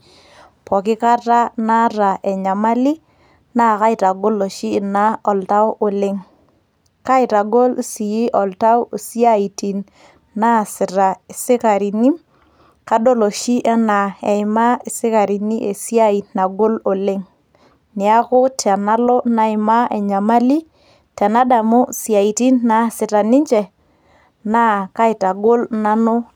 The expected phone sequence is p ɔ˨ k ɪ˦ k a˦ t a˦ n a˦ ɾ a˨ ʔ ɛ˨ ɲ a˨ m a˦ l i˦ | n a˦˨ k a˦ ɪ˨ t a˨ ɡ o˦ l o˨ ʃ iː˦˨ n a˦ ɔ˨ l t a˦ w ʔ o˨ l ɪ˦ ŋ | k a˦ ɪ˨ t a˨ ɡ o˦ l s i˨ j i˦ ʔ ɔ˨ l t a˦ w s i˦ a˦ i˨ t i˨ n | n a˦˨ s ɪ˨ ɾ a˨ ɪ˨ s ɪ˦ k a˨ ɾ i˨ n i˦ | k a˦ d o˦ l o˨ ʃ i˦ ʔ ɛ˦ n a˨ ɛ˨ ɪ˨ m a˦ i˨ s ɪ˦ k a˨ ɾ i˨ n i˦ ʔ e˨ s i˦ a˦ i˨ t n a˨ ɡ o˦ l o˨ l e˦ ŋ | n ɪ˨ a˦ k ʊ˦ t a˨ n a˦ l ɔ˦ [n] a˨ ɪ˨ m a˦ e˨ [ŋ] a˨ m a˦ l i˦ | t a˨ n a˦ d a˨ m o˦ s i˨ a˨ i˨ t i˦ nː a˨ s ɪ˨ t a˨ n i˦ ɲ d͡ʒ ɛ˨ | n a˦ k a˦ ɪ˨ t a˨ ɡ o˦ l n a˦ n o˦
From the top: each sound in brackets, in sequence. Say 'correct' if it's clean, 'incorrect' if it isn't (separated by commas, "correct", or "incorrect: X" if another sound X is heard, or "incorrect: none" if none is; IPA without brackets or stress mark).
correct, incorrect: ɲ